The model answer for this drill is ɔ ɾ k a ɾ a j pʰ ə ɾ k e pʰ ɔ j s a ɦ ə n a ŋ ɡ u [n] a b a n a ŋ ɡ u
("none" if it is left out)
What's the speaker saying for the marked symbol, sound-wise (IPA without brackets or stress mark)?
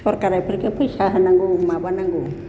m